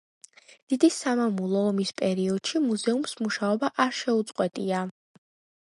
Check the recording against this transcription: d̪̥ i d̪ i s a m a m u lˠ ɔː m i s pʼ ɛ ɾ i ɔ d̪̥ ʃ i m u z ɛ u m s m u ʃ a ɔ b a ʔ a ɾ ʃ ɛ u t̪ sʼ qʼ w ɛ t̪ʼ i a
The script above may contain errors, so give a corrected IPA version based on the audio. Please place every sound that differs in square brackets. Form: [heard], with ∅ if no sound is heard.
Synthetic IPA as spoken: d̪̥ i d̪ i s a m a m u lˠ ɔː m i s pʼ ɛ ɾ i ɔ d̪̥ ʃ i m u z ɛ u m s m u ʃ a ɔ b a ʔ a ɾ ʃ ɛ u t̪ sʼ qʼ w ɛ t̪ʼ i a